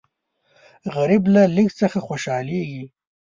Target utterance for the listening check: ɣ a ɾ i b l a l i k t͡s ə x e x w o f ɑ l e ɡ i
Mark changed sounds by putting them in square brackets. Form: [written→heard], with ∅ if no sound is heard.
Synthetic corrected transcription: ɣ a ɾ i b l a l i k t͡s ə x [e→a] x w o [f→ʃ] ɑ l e ɡ i